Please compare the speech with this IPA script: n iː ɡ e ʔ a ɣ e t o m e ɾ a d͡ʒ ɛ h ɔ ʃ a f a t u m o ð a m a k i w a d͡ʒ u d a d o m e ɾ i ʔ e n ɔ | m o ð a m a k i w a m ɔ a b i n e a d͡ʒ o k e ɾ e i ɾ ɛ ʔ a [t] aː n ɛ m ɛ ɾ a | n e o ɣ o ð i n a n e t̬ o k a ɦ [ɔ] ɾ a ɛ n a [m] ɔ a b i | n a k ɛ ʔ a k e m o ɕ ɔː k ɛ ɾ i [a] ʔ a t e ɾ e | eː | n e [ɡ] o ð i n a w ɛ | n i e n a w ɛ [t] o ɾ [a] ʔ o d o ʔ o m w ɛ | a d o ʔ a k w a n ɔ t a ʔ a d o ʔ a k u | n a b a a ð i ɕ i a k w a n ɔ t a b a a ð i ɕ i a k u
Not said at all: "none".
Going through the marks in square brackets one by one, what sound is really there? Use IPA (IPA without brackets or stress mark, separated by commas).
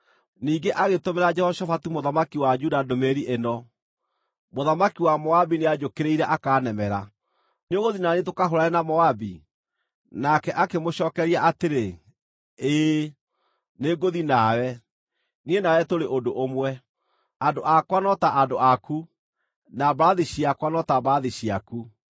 k, o, m, a, ɡ, t, e